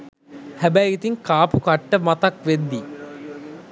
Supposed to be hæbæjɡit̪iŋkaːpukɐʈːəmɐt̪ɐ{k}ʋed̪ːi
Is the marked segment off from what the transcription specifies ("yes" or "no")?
no